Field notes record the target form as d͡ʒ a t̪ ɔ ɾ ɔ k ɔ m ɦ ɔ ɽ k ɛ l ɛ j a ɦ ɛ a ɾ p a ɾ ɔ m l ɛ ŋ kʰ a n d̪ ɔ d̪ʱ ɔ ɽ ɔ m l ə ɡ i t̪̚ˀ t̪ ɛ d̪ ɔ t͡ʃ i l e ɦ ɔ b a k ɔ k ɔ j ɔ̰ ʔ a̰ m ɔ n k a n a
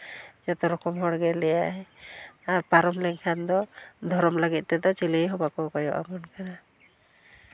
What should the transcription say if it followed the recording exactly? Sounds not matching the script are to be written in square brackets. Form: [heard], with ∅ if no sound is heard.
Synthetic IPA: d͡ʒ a t̪ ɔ ɾ ɔ k ɔ m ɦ ɔ ɽ [ɡ] ɛ l ɛ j a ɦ ɛ a ɾ p a ɾ ɔ m l ɛ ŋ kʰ a n d̪ ɔ d̪ʱ ɔ [ɾ] ɔ m l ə ɡ i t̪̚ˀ t̪ ɛ d̪ ɔ t͡ʃ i l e ɦ ɔ b a k ɔ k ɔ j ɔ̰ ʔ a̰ m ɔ n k a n a

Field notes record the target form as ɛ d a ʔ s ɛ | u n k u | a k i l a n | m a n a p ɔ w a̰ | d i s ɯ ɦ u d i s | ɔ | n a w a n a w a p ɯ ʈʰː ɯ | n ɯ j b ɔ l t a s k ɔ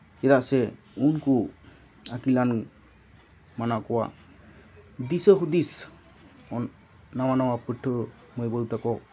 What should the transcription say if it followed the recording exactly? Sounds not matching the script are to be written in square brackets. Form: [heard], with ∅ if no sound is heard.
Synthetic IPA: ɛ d a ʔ s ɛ | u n k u | a k i l a n | m a n a [k] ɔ w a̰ | d i s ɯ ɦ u d i s | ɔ | n a w a n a w a p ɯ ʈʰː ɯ | [m] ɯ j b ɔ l t a [∅] k ɔ

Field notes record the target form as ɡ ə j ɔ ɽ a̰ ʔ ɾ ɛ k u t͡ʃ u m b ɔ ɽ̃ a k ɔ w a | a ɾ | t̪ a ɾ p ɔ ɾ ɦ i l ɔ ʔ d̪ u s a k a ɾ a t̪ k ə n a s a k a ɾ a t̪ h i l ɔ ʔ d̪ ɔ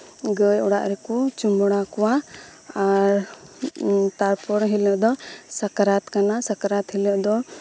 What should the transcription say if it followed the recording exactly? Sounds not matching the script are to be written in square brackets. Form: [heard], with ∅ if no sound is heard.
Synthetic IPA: ɡ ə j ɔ ɽ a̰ ʔ ɾ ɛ k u t͡ʃ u m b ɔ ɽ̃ a k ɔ w a | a ɾ | t̪ a ɾ p ɔ ɾ ɦ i l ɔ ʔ d̪ [ɔ] s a k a ɾ a t̪ k [a] n a s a k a ɾ a t̪ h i l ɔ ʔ d̪ ɔ

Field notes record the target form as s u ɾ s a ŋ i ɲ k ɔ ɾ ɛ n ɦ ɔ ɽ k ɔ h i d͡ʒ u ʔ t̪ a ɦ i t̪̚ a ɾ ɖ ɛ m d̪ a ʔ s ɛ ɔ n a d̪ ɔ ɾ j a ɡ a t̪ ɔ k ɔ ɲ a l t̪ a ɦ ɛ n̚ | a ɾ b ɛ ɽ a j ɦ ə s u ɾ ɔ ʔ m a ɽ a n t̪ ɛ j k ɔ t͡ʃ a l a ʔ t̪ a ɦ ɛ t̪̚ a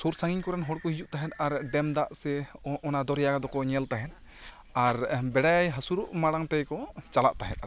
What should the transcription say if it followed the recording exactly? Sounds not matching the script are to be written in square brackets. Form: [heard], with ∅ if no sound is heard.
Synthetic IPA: s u ɾ s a ŋ i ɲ k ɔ ɾ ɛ n ɦ ɔ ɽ k ɔ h i d͡ʒ u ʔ t̪ a ɦ [ɛ] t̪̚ a ɾ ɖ ɛ m d̪ a ʔ s ɛ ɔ n a d̪ ɔ ɾ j a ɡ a [d̪] ɔ k ɔ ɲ [ɛ] l t̪ a ɦ ɛ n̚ | a ɾ b ɛ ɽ a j ɦ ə s u ɾ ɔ ʔ m a ɽ a [ŋ] t̪ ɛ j k ɔ t͡ʃ a l a ʔ t̪ a ɦ ɛ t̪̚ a

